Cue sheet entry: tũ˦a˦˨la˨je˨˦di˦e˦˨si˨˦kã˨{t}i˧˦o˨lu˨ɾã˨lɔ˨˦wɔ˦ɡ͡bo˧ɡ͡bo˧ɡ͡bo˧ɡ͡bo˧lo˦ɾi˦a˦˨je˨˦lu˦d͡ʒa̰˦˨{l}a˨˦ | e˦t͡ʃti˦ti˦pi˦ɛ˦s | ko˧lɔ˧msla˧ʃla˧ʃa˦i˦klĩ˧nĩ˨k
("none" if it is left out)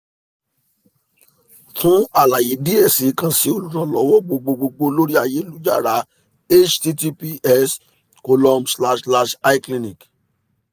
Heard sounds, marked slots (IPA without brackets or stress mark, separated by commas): s, ɾ